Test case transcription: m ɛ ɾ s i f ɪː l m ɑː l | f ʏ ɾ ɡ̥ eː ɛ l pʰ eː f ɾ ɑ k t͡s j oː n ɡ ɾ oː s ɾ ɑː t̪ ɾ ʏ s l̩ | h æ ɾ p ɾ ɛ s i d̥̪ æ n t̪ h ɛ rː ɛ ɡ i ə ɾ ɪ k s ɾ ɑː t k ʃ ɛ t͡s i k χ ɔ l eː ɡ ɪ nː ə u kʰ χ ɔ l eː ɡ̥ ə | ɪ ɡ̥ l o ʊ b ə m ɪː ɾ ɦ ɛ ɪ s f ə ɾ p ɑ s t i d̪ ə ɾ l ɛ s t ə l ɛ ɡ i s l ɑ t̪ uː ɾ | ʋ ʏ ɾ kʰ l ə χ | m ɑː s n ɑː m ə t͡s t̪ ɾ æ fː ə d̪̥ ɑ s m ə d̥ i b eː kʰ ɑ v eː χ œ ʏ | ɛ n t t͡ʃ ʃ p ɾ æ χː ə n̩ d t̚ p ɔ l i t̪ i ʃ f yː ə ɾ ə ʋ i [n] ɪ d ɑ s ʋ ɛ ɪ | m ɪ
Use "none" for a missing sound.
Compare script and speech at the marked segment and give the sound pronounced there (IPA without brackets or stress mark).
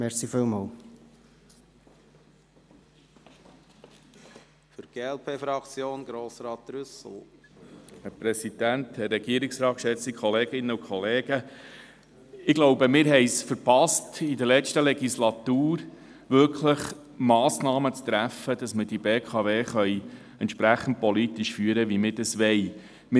m